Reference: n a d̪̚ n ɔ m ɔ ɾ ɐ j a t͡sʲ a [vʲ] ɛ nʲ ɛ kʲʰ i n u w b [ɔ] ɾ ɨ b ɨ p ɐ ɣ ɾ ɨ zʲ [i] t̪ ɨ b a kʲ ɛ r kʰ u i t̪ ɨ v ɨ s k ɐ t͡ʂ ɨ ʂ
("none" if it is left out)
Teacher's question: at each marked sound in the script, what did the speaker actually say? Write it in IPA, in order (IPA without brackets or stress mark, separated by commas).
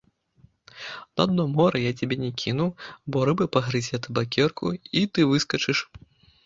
bʲ, ɔ, ɛ